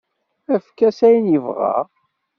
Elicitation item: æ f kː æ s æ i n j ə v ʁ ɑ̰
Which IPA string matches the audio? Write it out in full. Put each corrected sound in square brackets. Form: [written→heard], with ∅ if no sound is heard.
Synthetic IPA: æ f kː æ s æ [i→j] n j ə v ʁ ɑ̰